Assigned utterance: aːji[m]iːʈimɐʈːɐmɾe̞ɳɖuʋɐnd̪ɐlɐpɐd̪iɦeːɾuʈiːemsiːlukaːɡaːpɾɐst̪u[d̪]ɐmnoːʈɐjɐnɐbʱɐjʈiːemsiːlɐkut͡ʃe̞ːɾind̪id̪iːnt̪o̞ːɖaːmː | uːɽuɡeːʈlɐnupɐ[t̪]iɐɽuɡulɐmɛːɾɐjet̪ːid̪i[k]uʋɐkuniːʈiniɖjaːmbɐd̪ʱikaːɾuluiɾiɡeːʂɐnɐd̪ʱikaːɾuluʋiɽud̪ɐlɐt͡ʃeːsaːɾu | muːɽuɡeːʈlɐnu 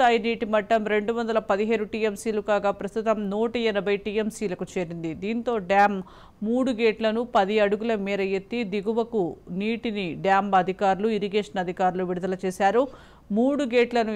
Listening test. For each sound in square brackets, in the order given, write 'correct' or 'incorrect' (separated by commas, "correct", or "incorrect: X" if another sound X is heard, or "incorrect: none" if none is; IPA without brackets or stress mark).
incorrect: n, incorrect: t̪, incorrect: d̪, incorrect: ɡ